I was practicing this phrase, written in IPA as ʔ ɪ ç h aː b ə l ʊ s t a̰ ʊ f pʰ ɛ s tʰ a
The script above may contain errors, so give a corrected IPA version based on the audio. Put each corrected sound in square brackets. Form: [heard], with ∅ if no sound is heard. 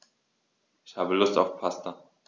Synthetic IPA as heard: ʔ ɪ ç h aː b ə l ʊ s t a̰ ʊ f pʰ [a] s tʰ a